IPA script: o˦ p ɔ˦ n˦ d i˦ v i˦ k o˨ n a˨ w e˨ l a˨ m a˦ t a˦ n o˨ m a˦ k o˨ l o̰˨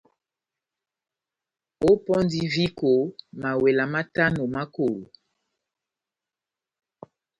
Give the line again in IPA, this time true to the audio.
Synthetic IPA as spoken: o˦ p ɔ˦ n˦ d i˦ v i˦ k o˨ m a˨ w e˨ l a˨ m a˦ t a˦ n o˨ m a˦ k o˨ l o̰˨